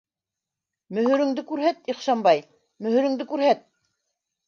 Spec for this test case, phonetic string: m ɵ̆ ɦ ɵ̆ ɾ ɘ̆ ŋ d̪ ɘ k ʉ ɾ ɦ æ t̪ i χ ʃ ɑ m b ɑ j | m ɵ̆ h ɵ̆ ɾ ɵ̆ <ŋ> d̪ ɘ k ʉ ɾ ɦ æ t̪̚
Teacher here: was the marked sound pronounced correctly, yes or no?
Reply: yes